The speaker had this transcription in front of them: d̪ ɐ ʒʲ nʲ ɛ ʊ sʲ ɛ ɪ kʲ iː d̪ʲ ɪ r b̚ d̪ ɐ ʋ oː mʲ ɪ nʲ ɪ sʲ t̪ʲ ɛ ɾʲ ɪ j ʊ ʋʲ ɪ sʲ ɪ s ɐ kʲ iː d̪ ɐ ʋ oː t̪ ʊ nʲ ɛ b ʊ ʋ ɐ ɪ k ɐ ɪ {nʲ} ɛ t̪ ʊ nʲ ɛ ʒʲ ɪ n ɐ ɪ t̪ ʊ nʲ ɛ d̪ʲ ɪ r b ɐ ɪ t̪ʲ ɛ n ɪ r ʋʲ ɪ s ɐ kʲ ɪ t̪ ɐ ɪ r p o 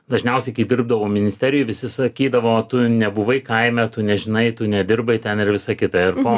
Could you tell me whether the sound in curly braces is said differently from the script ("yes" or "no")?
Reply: yes